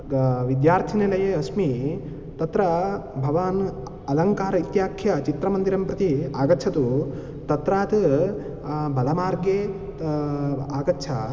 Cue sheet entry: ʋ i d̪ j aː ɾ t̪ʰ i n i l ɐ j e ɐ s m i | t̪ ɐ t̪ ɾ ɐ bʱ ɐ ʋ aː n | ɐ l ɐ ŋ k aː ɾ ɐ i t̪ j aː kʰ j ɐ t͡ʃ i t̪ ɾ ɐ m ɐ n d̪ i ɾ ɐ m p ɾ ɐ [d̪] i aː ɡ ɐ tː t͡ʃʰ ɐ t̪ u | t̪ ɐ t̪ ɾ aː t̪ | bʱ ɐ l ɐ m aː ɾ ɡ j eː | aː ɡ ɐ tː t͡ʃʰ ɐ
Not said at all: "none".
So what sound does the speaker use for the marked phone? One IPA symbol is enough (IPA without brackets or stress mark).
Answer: t̪